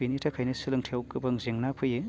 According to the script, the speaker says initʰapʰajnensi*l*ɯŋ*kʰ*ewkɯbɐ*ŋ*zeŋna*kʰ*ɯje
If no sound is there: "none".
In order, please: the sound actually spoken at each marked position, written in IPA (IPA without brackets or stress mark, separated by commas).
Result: l, tʰ, ŋ, pʰ